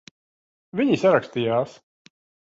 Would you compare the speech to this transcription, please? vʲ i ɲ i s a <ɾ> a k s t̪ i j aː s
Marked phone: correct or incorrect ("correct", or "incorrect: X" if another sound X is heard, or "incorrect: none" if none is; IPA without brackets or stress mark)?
correct